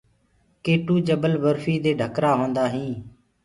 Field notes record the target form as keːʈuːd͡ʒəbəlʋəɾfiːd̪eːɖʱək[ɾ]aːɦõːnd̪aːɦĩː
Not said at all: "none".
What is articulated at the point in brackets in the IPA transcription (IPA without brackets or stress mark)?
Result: ɾ